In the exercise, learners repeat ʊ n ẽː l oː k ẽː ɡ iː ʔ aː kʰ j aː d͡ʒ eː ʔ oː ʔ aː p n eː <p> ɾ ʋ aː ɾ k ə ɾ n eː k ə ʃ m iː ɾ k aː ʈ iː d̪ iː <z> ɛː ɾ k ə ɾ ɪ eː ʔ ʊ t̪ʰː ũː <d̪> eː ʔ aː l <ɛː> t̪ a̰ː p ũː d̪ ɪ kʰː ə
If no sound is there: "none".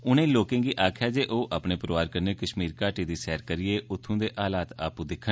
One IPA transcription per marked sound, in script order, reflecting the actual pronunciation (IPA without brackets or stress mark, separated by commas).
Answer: p, s, d̪, aː